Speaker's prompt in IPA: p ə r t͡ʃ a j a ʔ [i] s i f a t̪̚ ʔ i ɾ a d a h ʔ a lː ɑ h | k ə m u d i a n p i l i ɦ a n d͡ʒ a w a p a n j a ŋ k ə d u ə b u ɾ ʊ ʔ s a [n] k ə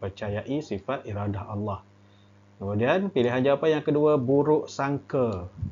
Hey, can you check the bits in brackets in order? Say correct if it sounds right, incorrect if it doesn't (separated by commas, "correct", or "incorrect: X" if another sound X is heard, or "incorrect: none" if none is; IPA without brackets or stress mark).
correct, incorrect: ŋ